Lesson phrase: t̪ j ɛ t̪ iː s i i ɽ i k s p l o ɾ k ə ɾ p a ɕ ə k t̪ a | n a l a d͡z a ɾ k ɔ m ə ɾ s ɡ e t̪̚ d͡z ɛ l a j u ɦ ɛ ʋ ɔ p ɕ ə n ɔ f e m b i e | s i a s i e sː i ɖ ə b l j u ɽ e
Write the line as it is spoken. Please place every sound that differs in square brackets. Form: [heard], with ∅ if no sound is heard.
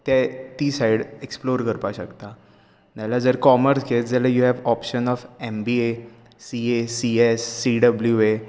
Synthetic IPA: t̪ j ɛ t̪ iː s [a] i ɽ [e] k s p l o ɾ k ə ɾ p a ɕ ə k t̪ a | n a l a d͡z [ə] ɾ k ɔ m ə ɾ s ɡ e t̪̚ d͡z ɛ l a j u ɦ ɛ ʋ ɔ p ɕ ə n ɔ f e m b i e | s i [e] s i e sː i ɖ ə b l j u [∅] e